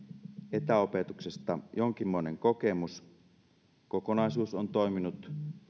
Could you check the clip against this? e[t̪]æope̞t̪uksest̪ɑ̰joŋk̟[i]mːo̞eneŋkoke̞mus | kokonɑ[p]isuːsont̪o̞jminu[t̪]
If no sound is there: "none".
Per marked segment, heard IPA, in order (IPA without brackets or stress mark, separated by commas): t̪, i, none, t̪